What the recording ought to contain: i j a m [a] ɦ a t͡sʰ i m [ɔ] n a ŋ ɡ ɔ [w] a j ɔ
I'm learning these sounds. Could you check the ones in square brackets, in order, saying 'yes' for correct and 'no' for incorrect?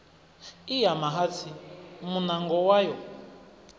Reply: yes, no, yes

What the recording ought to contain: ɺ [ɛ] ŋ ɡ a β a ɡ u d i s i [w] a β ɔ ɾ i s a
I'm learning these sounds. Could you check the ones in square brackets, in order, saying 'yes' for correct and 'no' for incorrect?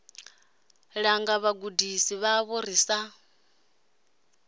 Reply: no, no

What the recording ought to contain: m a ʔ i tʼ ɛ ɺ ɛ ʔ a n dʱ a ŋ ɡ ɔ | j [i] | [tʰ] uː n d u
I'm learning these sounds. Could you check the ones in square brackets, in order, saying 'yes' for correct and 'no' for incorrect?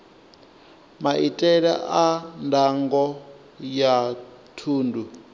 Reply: no, yes

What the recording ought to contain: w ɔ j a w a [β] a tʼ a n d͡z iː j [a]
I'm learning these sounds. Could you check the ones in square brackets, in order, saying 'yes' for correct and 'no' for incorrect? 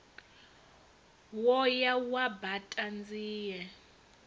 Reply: no, no

